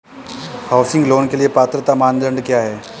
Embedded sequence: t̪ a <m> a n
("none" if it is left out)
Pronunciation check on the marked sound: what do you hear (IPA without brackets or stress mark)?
m